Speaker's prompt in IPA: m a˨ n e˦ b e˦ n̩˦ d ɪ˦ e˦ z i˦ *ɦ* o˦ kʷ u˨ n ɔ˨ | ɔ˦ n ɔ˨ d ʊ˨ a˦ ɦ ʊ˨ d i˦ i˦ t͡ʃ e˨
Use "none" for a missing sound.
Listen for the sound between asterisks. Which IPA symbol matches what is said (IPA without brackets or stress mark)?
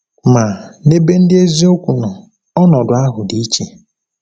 none